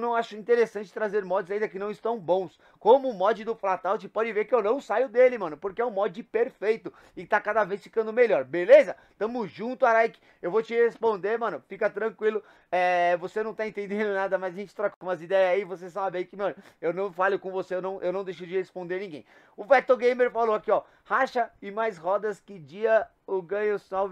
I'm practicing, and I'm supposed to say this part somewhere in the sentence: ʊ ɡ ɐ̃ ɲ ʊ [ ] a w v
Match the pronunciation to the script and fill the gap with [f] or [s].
s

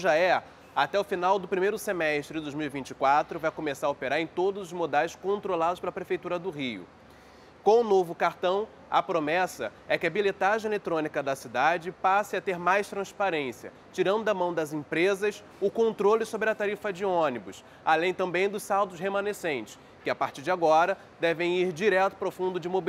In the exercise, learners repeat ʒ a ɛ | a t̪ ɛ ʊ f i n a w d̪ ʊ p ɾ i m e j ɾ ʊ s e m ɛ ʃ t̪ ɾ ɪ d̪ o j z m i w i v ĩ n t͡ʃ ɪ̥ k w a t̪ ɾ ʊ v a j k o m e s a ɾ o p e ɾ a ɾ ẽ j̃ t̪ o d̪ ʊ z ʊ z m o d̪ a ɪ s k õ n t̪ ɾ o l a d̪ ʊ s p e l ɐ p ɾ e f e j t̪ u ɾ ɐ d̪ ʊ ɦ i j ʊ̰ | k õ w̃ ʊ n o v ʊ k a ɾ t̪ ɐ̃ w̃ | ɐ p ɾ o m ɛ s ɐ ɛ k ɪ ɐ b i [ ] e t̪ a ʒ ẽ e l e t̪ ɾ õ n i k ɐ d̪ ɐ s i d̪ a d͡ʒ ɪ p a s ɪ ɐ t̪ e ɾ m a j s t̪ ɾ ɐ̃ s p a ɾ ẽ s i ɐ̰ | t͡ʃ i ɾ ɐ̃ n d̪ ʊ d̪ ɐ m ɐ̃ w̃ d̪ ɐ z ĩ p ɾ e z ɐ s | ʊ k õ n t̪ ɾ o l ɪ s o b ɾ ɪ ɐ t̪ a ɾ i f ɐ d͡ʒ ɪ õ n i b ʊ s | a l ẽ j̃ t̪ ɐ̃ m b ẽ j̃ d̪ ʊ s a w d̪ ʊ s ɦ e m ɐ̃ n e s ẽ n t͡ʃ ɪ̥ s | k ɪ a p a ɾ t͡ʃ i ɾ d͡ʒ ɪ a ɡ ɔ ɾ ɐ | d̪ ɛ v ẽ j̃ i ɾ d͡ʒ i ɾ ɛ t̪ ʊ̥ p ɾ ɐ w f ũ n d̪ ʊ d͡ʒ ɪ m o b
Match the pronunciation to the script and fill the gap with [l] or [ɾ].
l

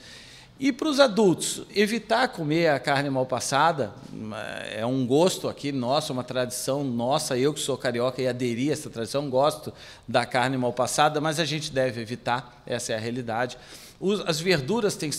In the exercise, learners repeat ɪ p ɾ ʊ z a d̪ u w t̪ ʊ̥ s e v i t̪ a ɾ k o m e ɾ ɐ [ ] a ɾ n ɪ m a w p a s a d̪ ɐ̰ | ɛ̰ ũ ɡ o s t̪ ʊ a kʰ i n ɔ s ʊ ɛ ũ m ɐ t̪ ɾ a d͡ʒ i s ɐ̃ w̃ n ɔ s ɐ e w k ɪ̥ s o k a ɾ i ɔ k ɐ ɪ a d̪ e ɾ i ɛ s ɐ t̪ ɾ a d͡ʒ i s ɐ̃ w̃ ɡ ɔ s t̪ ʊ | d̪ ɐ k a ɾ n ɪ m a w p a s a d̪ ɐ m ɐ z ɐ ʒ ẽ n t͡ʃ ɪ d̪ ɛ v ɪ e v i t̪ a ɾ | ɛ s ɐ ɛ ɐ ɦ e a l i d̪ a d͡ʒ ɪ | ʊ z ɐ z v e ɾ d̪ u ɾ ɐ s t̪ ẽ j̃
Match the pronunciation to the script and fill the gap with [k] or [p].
k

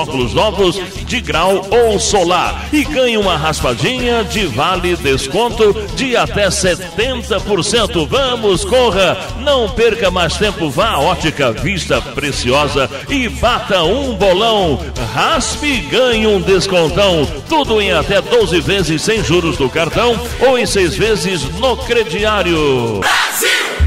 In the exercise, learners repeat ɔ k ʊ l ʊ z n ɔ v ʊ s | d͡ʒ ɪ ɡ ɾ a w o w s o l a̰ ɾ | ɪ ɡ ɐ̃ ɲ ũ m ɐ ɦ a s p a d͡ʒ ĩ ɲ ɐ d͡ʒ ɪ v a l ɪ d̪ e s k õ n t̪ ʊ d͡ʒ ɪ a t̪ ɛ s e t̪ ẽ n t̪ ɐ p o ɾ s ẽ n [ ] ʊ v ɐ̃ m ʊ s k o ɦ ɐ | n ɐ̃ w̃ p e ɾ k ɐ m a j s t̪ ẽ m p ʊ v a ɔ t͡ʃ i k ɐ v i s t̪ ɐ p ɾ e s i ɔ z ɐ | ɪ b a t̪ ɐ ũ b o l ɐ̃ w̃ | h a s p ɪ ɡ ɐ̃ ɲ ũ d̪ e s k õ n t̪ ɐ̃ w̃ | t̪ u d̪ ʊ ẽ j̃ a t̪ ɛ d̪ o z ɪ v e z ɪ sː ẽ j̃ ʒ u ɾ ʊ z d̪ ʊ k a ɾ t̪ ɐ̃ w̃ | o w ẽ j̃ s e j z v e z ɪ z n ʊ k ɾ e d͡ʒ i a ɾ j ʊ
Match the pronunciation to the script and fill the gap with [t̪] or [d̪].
t̪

